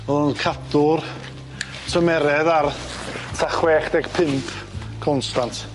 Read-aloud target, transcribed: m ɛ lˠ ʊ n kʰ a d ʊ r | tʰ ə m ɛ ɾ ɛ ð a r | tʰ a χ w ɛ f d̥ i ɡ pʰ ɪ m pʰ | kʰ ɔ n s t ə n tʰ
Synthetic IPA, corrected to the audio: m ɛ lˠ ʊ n kʰ a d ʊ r | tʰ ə m ɛ ɾ ɛ ð a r | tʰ a χ w ɛ χ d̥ ɛ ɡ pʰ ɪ m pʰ | kʰ ɔ n s t a n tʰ